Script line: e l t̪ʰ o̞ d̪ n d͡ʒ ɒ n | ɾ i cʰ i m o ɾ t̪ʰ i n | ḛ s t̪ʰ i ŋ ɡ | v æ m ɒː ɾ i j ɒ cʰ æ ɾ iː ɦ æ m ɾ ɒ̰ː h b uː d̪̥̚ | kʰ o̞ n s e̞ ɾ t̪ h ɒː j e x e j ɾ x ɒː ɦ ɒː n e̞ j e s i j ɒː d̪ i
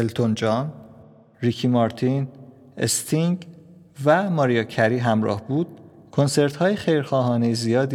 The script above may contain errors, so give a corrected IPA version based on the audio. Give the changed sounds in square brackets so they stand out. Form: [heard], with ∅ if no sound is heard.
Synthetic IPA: e l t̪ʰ o̞ [∅] n d͡ʒ ɒ n | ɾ i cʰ i m [ɒ] ɾ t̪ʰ i n | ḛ s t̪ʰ i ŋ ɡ | v æ m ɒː ɾ i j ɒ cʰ æ ɾ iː ɦ æ m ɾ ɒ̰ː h b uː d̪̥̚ | kʰ o̞ n s e̞ ɾ t̪ h ɒː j e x e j ɾ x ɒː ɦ ɒː n e̞ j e [z] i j ɒː d̪ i